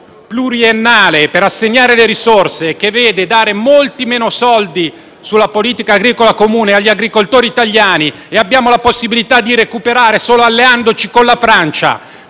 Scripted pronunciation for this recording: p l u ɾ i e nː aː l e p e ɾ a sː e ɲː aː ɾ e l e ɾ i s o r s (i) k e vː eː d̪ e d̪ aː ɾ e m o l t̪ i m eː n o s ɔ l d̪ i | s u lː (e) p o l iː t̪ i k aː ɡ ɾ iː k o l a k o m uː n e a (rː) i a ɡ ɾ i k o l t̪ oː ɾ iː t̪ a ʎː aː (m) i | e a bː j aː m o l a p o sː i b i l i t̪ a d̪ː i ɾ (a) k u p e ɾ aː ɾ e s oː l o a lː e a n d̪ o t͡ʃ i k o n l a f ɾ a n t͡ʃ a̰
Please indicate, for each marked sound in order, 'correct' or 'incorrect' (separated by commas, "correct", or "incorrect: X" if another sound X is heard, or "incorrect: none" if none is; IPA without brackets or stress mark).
incorrect: e, incorrect: a, incorrect: ʎː, incorrect: n, incorrect: e